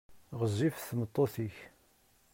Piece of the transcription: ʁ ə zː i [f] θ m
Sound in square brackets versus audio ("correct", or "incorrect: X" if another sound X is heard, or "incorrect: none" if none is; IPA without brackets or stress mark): correct